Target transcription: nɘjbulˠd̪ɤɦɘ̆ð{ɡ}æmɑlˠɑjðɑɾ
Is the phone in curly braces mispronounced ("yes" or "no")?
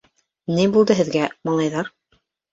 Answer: no